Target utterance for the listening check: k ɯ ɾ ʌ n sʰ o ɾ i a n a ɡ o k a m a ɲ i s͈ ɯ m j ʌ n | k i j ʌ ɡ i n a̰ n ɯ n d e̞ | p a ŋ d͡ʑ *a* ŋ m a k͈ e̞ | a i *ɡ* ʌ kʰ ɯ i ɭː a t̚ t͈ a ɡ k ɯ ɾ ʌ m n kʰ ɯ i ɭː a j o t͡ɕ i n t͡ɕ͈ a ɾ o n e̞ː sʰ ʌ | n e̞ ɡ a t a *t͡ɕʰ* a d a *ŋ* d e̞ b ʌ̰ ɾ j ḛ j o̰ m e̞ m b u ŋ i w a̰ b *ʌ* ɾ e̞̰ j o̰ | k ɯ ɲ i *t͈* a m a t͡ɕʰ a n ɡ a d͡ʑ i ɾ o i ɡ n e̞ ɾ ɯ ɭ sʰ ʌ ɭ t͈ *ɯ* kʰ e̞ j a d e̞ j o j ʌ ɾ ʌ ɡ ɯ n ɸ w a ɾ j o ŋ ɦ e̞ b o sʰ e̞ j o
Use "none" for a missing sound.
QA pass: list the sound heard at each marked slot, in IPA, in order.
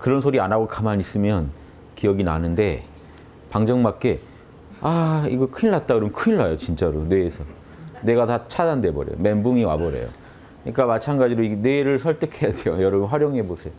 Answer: ʌ, ɡ, t͡ɕʰ, n, ʌ, k͈, ɯ

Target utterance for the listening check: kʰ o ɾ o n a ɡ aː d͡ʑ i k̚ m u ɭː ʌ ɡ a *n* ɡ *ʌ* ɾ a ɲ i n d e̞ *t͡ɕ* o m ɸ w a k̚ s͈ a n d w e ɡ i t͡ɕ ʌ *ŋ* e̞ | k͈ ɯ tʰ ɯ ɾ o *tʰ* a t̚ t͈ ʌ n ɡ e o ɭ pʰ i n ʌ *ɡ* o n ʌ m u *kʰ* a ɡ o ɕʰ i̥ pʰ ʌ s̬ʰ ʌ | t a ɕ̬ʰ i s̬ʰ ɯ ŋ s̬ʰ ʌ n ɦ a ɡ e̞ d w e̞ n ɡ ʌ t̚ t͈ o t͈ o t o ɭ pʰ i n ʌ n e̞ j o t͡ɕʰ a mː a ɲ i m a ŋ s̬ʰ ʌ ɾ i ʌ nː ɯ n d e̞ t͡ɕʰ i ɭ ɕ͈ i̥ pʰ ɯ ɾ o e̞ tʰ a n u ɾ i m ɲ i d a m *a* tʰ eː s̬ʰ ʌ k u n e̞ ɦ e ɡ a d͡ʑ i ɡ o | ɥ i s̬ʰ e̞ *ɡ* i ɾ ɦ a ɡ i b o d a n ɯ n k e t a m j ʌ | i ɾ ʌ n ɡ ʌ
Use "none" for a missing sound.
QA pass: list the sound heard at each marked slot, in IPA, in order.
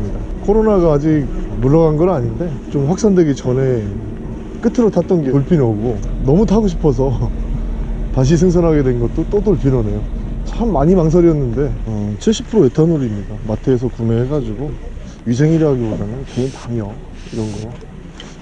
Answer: n, ʌ, t͡ɕ, n, tʰ, ɡ, tʰ, a, ŋ

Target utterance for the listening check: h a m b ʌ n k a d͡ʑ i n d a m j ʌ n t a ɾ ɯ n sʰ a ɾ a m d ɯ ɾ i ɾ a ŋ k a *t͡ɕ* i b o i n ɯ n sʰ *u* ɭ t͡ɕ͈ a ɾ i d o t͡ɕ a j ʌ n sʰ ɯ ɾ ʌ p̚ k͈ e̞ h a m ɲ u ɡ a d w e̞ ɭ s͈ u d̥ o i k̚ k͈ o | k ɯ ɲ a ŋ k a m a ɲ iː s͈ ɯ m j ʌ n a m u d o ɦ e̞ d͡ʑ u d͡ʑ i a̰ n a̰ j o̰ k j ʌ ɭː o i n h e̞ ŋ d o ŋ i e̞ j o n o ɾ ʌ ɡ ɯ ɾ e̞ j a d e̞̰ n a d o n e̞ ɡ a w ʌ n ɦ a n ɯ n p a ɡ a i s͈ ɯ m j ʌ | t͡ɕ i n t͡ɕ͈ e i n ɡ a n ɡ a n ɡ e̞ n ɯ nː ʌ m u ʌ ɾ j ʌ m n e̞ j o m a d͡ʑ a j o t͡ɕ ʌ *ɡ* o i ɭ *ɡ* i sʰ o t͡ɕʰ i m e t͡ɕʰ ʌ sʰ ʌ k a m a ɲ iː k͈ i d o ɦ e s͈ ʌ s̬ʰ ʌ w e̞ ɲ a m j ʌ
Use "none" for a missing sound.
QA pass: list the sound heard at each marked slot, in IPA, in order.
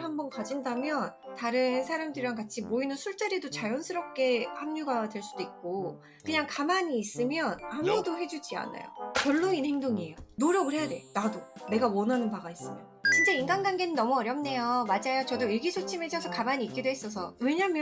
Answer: t͡ɕʰ, u, d, ɡ

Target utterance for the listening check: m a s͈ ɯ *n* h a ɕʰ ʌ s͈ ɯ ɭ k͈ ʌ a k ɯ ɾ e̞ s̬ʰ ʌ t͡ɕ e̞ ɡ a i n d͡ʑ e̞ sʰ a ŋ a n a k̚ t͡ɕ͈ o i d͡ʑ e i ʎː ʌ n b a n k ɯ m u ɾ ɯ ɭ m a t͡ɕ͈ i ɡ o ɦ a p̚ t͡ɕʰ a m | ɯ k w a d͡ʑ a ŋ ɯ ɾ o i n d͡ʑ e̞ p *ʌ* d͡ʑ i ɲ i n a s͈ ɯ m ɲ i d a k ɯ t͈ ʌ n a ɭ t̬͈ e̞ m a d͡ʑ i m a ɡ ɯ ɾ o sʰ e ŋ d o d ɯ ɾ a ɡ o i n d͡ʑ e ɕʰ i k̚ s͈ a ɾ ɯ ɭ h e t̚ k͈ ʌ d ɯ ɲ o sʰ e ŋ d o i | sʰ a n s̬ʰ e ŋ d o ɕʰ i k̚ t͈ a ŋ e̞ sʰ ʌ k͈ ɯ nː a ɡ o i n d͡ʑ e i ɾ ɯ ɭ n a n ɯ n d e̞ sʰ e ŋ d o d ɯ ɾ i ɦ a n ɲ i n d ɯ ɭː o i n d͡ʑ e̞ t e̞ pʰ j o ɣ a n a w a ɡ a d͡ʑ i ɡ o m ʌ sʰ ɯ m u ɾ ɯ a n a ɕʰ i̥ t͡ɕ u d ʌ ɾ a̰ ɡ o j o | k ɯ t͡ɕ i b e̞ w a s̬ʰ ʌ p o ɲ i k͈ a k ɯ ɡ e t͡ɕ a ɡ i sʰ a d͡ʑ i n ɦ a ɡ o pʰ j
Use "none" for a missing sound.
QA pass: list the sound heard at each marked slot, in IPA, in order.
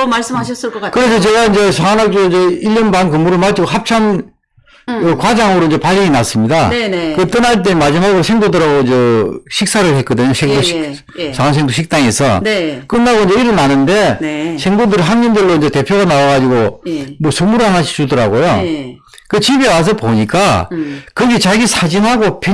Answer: m, a

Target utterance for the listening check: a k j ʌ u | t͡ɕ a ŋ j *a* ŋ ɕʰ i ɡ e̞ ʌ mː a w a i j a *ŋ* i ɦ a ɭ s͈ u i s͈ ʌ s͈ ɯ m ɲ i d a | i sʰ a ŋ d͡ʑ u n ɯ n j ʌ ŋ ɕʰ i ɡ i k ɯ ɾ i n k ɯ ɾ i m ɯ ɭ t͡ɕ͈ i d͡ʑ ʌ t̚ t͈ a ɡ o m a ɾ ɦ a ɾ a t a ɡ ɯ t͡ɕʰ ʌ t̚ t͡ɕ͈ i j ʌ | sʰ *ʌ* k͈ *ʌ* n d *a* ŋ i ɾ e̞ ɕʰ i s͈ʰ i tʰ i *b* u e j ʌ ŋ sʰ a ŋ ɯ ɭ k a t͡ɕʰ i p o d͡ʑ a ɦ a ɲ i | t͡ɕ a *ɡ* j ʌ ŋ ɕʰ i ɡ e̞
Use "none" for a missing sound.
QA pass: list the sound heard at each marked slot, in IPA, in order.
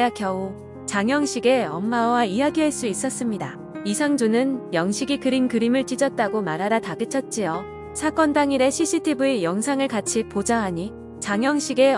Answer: ʌ, ɡ, a, ʌ, a, b, ŋ

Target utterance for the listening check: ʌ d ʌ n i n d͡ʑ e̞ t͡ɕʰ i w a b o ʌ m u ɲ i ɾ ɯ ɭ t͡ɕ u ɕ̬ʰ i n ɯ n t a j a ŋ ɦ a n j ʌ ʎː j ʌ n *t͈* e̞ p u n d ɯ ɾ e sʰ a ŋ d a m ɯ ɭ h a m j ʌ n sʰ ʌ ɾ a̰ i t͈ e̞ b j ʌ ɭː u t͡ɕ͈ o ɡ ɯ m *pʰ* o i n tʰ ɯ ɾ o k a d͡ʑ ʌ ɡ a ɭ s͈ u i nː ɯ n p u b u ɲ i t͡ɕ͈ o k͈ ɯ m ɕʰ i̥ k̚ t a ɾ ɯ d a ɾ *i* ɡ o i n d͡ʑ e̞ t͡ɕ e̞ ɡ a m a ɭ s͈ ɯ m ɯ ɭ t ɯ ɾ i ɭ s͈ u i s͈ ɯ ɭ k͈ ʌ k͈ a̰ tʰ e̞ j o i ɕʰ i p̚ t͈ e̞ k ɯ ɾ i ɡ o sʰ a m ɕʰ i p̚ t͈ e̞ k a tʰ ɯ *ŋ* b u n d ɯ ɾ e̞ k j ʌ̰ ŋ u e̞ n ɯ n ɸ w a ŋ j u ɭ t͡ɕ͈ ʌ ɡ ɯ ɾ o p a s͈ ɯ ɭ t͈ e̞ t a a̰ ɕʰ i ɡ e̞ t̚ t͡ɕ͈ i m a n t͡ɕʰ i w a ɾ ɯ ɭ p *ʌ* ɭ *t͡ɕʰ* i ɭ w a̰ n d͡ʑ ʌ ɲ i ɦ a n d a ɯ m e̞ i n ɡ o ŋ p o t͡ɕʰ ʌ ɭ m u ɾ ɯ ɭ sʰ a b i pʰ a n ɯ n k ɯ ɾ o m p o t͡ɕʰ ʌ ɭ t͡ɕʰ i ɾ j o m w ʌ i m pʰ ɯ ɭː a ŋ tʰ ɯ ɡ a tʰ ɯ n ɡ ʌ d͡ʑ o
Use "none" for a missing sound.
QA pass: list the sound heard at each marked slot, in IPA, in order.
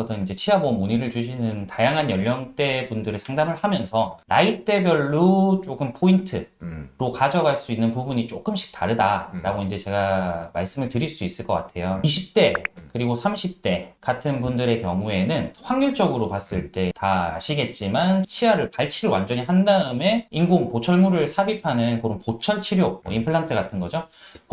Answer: t͈, pʰ, a, n, a, t͡ɕʰ

